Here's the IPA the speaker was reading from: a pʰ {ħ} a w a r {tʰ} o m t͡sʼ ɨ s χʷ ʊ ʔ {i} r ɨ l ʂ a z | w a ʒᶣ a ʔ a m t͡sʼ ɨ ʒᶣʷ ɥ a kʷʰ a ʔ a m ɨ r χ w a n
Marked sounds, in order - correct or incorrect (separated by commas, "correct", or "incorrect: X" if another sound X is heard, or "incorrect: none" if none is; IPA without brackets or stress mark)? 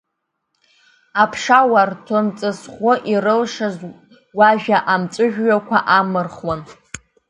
incorrect: ʂ, correct, correct